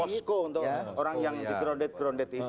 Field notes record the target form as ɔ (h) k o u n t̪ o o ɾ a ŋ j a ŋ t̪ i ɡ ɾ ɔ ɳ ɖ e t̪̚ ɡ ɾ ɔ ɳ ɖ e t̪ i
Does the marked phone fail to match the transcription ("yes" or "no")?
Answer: yes